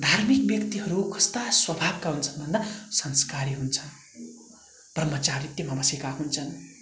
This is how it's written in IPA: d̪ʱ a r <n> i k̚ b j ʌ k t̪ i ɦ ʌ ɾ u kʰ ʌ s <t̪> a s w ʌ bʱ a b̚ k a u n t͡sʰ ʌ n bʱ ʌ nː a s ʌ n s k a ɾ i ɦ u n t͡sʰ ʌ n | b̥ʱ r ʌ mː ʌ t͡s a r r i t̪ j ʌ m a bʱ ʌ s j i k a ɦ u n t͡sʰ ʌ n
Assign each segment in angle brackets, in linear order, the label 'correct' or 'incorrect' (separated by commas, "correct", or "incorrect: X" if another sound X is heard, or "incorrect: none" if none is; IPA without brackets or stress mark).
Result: incorrect: m, correct